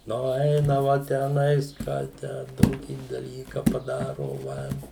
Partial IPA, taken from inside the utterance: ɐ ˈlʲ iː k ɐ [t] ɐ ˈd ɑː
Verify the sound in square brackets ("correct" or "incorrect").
incorrect